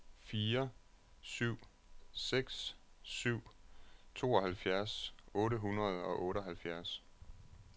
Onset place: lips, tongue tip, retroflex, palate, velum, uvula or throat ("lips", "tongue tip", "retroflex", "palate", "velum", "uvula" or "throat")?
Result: lips